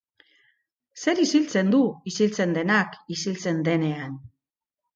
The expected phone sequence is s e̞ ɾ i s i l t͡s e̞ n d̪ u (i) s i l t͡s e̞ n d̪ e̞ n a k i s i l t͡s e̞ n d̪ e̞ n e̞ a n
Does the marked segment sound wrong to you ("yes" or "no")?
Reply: no